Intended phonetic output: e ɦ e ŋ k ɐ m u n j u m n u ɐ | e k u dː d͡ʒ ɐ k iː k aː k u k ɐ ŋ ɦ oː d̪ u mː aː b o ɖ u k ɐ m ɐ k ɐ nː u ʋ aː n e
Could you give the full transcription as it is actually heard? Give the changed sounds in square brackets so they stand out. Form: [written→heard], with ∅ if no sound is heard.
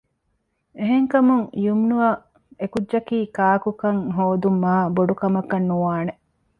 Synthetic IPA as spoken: e ɦ e ŋ k ɐ m u [n→ŋ] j u m n u ɐ | e k u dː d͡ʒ ɐ k iː k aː k u k ɐ ŋ ɦ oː d̪ u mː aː b o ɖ u k ɐ m ɐ k ɐ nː u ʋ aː n e